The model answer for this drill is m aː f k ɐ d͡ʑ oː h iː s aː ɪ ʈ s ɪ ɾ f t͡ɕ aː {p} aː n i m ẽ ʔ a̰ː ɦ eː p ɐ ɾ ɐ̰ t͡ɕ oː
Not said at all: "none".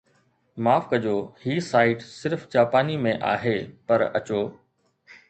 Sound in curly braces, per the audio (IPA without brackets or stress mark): p